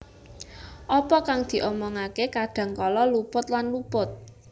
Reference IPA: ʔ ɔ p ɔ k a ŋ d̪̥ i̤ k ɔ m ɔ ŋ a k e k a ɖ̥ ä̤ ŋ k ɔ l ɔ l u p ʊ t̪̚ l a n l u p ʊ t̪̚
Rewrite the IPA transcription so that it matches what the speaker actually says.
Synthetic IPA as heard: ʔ ɔ p ɔ k a ŋ d̪̥ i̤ ʔ ɔ m ɔ ŋ a k e k a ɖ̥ ä̤ ŋ k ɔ l ɔ l u p ʊ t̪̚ l a n l u p ʊ t̪̚